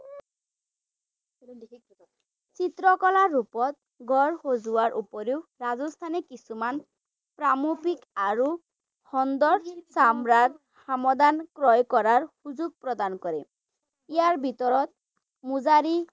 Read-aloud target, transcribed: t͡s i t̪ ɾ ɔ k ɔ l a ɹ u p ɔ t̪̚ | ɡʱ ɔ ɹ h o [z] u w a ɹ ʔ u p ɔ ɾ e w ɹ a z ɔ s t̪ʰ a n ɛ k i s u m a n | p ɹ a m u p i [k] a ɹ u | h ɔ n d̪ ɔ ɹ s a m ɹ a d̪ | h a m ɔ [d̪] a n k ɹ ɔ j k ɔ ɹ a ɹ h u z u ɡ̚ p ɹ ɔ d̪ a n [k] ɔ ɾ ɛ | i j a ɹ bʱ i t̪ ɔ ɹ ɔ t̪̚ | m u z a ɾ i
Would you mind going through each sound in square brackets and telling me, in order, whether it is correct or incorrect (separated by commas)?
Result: correct, correct, correct, correct